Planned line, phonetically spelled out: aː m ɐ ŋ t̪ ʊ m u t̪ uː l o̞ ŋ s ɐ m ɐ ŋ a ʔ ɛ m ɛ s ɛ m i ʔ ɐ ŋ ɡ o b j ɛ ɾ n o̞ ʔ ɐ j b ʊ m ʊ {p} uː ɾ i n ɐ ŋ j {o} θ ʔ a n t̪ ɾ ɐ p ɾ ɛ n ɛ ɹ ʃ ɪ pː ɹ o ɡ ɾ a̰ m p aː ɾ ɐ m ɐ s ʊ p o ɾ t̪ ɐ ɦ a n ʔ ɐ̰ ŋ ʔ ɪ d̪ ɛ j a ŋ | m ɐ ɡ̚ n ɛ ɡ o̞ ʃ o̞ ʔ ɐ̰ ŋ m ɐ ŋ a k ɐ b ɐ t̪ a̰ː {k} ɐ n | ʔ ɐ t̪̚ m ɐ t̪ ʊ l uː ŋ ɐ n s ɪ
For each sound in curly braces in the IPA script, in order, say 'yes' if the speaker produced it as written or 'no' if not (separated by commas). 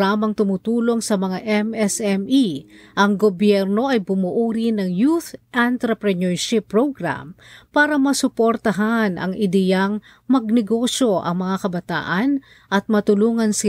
no, no, no